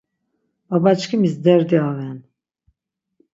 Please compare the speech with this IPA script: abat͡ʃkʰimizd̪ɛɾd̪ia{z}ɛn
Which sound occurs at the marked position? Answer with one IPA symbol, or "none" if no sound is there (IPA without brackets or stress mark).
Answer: v